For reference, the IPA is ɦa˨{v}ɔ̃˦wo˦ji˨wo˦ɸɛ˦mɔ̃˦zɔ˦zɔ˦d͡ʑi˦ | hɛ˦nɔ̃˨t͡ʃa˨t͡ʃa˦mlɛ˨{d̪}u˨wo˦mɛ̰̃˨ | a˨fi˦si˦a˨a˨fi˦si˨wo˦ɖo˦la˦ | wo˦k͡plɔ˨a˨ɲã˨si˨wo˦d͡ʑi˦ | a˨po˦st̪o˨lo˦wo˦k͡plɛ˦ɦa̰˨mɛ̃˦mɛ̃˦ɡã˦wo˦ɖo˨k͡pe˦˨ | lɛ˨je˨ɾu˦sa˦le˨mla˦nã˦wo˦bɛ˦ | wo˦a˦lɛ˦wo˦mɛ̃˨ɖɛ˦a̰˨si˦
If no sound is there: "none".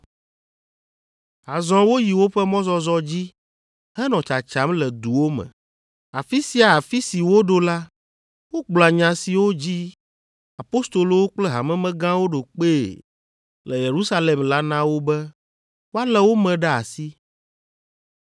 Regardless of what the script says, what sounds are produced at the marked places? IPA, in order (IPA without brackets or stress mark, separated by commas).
z, d̪